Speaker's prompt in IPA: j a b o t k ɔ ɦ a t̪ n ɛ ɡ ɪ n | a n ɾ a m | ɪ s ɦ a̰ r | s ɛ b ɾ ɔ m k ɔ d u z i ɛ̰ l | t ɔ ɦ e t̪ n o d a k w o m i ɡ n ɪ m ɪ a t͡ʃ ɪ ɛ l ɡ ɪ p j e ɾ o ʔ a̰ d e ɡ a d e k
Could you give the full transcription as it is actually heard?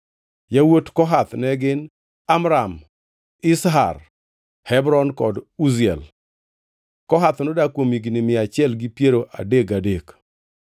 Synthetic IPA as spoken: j a w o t k ɔ ɦ a t̪ n ɛ ɡ ɪ n | a m ɾ a m | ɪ s ɦ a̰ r | h ɛ b ɾ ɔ n k ɔ d u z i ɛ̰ l | k ɔ ɦ a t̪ n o d a k w o m i ɡ n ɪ m ɪ a t͡ʃ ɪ ɛ l ɡ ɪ p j e ɾ o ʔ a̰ d e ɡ a d e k